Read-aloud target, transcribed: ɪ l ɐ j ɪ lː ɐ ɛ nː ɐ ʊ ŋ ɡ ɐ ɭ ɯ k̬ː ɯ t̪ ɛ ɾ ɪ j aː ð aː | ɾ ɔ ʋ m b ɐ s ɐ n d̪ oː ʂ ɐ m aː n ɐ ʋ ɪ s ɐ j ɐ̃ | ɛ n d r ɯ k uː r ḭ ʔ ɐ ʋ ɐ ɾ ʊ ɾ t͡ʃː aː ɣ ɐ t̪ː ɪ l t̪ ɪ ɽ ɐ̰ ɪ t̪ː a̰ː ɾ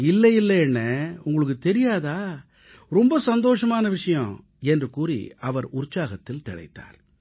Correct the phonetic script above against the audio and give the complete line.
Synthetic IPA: ɪ lː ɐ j ɪ lː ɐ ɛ nː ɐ ʊ ŋ ɡ ɐ ɭ ɯ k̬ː ɯ t̪ ɛ ɾ ɪ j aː ð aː | ɾ ɔ m b ɐ s ɐ n d̪ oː ʂ ɐ m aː n ɐ ʋ ɪ ʂ ɐ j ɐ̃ | ɛ n d r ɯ k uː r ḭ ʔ ɐ ʋ ɐ ɾ ʊ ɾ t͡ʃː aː ɣ ɐ t̪ː ɪ l t̪ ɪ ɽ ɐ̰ ɪ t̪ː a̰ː ɾ